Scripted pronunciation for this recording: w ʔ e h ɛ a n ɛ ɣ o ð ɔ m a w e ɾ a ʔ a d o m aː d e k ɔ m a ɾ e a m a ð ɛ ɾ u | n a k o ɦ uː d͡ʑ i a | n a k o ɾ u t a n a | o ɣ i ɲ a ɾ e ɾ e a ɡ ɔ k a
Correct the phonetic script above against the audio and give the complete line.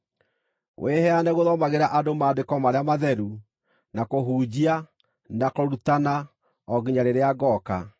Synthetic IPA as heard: w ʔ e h ɛ a n ɛ ɣ o ð ɔ m a ɣ e ɾ a ʔ a d o m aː d e k ɔ m a ɾ e a m a ð ɛ ɾ u | n a k o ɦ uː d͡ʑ i a | n a k o ɾ u t a n a | ɔ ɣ i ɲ a ɾ e ɾ e a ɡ ɔ k a

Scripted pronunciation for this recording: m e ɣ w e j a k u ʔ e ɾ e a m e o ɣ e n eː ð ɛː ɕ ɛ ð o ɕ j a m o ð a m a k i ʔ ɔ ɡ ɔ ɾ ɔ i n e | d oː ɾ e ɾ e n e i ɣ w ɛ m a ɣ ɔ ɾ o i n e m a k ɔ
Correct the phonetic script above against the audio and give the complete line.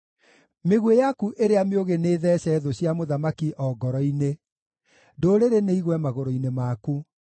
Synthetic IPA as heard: m e ɣ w e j a k u ʔ e ɾ e a m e o ɣ e n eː ð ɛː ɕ ɛ ð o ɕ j a m o ð a m a k i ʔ ɔ ɡ ɔ ɾ ɔ i n e | d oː ɾ e ɾ e n e i ɣ w ɛ m a ɣ o ɾ o i n e m a k u

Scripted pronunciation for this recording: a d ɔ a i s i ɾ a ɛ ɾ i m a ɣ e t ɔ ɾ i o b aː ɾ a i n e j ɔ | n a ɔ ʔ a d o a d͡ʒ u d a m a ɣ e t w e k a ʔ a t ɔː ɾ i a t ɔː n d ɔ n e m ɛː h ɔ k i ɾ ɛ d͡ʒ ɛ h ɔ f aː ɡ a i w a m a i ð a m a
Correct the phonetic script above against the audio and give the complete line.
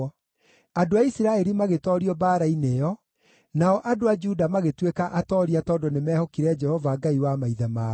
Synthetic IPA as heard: a d o a i s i ɾ a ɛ ɾ i m a ɣ e t ɔ ɾ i ɔ b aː ɾ a i n e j ɔ | n a ɔ ʔ a d o a d͡ʒ u d a m a ɣ e t w e k a ʔ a t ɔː ɾ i a t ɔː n d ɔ n e m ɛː h ɔ k i ɾ ɛ d͡ʒ ɛ h ɔ v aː ɡ a i w a m a i ð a m a

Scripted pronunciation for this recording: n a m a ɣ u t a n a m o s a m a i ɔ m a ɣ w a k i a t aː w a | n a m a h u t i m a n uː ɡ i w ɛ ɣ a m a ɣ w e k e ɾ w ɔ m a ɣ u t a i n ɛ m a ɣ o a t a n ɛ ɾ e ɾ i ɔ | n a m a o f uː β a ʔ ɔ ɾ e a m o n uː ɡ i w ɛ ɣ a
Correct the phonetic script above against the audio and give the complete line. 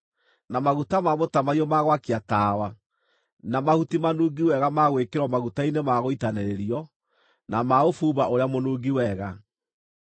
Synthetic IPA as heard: n a m a ɣ u t a m a m o t a m a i ɔ m a ɣ w a k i a t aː w a | n a m a h u t i m a n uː ɡ i w ɛ ɣ a m a ɣ w e k e ɾ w ɔ m a ɣ u t a i n e m a ɣ o i t a n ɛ ɾ e ɾ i ɔ | n a m a o f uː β a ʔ o ɾ e a m o n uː ɡ i w ɛ ɣ a

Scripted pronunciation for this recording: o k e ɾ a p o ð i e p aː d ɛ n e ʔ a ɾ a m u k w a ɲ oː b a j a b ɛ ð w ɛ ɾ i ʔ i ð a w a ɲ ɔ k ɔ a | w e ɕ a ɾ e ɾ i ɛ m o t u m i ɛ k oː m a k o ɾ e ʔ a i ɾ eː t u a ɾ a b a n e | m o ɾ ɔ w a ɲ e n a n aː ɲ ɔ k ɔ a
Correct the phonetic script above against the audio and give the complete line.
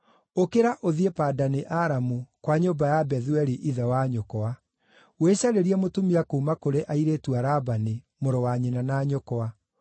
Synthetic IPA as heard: o k e ɾ a ʔ o ð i e p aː d a n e ʔ a ɾ a m u k w a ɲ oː b a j a b ɛ ð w ɛ ɾ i ʔ i ð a w a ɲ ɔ k ɔ a | w e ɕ a ɾ e ɾ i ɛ m o t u m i a k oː m a k o ɾ e ʔ a i ɾ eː t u a ɾ a b a n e | m o ɾ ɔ w a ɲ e n a n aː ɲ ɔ k ɔ a

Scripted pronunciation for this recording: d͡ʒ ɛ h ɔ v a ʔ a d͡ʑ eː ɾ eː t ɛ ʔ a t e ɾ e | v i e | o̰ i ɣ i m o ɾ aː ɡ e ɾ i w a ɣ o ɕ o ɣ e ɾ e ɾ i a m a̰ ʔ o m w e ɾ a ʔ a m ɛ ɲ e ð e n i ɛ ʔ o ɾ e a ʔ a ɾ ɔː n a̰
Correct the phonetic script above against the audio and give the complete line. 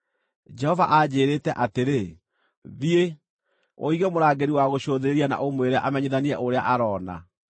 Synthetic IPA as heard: d͡ʒ ɛ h ɔ v a ʔ a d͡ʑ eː ɾ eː t ɛ ʔ a t e ɾ e | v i e | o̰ i ɣ ɛ m o ɾ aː ɡ e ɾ i w a ɣ o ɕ o ð e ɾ e ɾ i a n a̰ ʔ o m w e ɾ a ʔ a m ɛ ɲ e ð a n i ɛ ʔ o ɾ e a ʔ a ɾ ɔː n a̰

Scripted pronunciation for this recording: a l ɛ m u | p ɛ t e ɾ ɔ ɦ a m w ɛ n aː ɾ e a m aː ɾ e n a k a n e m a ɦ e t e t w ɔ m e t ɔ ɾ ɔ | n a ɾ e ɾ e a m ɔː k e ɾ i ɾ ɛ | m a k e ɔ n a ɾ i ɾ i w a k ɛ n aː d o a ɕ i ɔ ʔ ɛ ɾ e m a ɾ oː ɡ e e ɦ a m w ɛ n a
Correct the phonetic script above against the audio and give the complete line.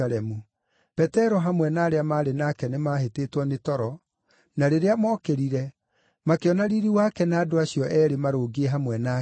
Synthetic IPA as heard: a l ɛ m u | p ɛ t ɛ ɾ ɔ ɦ a m w ɛ n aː ɾ e a m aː ɾ e n a k ɛ n e m a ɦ e t e t w ɔ n e t ɔ ɾ ɔ | n a ɾ e ɾ e a m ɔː k e ɾ i ɾ ɛ | m a k e ɔ n a ɾ i ɾ i w a k ɛ n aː d o a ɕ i ɔ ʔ ɛ ɾ e m a ɾ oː ɡ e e ɦ a m w ɛ n a

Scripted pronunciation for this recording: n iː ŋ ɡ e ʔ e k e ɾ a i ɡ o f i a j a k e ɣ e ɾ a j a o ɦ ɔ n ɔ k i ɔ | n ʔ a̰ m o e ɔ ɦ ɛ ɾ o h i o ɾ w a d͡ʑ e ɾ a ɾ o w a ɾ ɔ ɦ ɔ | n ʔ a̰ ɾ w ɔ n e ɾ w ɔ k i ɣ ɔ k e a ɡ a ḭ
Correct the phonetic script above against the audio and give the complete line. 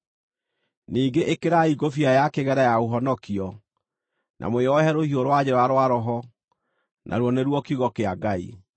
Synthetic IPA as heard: n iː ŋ ɡ e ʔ e k e ɾ a i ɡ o f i a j a k e ɣ ɛ ɾ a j a o ɦ ɔ n ɔ k i ɔ | n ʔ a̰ m o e ɔ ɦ ɛ ɾ o h i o ɾ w a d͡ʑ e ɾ a ɾ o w a ɾ ɔ ɦ ɔ | n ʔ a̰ ɾ w ɔ n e ɾ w ɔ k i ɣ ɔ k e a ɡ a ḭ

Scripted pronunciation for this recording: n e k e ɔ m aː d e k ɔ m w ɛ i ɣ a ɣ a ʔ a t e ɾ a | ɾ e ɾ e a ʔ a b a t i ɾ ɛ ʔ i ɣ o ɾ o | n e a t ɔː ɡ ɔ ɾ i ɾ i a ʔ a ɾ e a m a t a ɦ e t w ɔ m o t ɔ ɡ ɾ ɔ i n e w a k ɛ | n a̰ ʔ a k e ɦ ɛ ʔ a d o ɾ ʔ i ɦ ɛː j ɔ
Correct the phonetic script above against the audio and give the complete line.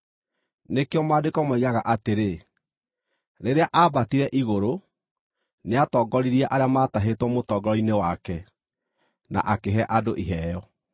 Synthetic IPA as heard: n e k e ɔ m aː d e k ɔ m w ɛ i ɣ a ɣ a ʔ a t e ɾ e | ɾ e ɾ e a ʔ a b a t i ɾ ɛ ʔ i ɣ o ɾ o | n e a t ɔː ɡ ɔ ɾ i ɾ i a ʔ a ɾ e a m a t a ɦ e t w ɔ m o t ɔ ɡ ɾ ɔ i n e w a k ɛ | n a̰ ʔ a k e ɦ ɛ ʔ a d o ʔ i ɦ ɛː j ɔ

